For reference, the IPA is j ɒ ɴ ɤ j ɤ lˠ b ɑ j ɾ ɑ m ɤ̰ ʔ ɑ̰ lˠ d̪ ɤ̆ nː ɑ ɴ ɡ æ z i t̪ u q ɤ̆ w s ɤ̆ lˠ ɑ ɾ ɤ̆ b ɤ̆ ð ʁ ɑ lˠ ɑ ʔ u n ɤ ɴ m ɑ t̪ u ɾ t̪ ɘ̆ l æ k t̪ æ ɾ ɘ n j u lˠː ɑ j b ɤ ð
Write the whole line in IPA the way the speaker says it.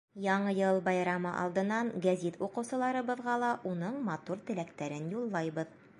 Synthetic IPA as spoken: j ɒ ɴ ɤ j ɤ lˠ b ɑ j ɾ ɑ m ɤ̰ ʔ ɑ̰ lˠ d̪ ɤ̆ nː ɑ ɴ ɡ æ z i t̪ u q ɤ̆ w s ɤ̆ lˠ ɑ ɾ ɤ̆ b ɤ̆ ð ʁ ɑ lˠ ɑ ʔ u n ɤ ɴ m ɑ t̪ u ɾ t̪ ɘ̆ l æ k t̪ æ ɾ ɘ n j u lˠː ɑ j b ɤ ð